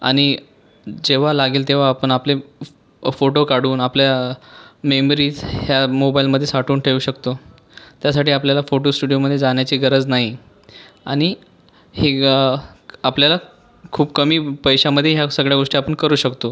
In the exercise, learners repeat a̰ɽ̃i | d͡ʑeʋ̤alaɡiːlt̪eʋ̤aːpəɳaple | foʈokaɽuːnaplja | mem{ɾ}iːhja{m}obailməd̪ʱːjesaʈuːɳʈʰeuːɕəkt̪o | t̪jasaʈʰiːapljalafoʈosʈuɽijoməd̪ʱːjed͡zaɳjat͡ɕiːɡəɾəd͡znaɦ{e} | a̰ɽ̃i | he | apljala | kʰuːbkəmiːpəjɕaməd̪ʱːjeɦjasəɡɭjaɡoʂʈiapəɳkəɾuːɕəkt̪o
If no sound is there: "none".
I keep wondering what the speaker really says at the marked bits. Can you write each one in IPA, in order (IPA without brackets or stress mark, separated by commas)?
ɾ, m, i